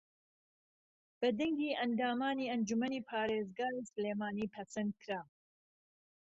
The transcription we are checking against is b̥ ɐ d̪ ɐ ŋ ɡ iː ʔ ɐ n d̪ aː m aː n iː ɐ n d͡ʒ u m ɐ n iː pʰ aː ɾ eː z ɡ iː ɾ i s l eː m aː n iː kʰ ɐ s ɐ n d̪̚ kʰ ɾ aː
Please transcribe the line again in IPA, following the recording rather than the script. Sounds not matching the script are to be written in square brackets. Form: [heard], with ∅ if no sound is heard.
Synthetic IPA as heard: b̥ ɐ d̪ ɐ ŋ ɡ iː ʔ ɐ n d̪ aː m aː n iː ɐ n d͡ʒ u m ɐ n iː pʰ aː ɾ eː z ɡ [aː] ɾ i s l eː m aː n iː [pʰ] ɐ s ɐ n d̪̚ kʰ ɾ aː